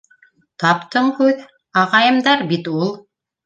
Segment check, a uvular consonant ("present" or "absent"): present